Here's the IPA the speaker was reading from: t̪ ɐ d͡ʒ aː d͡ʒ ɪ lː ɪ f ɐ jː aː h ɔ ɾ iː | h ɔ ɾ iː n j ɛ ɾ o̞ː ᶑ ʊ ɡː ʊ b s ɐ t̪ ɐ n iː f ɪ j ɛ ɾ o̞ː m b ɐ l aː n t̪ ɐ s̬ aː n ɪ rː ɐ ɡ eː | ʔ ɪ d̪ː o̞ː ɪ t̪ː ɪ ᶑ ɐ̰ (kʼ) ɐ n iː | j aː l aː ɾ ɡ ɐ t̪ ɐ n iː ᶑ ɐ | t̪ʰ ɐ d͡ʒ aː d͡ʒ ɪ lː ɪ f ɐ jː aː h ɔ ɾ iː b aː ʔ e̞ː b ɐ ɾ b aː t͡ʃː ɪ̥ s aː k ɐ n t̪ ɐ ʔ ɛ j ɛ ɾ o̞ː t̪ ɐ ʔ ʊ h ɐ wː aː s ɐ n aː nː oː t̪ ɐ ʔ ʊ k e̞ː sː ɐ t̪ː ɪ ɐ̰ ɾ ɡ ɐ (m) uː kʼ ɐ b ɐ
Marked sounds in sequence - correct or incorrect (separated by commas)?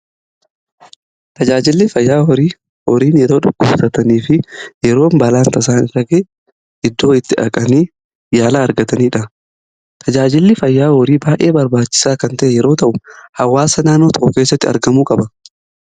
correct, correct